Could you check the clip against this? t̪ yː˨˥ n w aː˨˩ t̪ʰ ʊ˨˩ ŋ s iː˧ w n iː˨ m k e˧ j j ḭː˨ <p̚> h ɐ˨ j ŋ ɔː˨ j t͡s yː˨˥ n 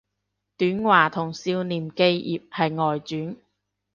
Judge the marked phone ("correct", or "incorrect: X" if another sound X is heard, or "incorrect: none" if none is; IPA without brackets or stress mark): correct